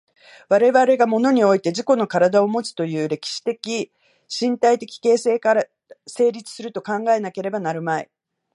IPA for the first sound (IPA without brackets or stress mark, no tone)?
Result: β